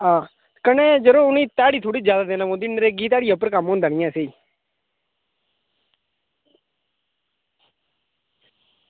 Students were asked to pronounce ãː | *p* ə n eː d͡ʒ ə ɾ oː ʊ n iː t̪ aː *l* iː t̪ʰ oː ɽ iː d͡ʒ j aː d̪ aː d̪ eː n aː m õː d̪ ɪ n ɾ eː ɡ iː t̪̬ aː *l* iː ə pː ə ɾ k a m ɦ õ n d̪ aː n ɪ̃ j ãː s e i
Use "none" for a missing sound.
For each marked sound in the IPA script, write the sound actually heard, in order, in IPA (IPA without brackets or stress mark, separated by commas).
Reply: k, ɽ, ɽ